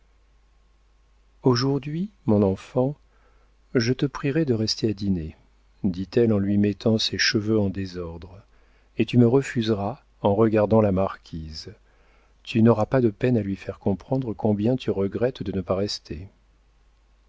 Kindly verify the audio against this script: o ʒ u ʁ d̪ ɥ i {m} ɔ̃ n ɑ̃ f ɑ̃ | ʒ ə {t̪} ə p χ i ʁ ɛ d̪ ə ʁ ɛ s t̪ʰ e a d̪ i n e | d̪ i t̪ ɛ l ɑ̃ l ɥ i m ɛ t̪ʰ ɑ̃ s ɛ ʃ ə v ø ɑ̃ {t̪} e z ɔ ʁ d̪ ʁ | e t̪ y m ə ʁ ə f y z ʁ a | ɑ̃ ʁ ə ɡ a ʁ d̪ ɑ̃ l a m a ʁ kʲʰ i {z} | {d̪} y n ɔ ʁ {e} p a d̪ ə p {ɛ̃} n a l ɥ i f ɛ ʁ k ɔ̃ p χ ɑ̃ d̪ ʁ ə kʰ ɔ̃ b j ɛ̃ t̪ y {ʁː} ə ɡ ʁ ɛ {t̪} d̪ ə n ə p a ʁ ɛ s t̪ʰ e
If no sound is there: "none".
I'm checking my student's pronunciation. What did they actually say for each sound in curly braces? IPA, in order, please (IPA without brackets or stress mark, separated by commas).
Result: m, t̪, d̪, z, t̪, a, ɛ, ʁ, t̪